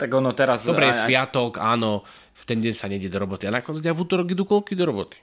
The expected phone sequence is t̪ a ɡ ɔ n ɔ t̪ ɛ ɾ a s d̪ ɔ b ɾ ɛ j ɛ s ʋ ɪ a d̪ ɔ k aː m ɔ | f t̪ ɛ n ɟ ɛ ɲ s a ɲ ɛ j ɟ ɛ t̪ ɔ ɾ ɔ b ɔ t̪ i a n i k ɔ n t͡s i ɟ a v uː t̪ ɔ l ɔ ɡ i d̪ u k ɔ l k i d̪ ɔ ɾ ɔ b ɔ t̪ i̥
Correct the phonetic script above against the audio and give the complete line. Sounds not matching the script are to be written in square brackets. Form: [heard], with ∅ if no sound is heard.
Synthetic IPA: t̪ a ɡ ɔ n ɔ t̪ ɛ ɾ a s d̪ ɔ b ɾ ɛ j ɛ s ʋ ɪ a [t̪] ɔ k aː [n] ɔ | f t̪ ɛ n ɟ ɛ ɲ s a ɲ ɛ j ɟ ɛ [d̪] ɔ ɾ ɔ b ɔ t̪ i a n [a] k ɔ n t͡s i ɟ a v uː t̪ ɔ [ɾ] ɔ ɡ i d̪ u k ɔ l k i d̪ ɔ ɾ ɔ b ɔ t̪ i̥